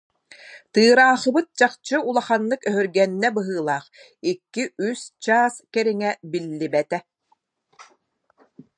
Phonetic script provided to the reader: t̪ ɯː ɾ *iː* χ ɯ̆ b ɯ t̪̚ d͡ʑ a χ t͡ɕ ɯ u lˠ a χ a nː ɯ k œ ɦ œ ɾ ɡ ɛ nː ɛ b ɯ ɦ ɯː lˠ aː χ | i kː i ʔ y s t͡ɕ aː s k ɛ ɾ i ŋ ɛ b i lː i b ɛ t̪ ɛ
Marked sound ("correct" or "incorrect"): incorrect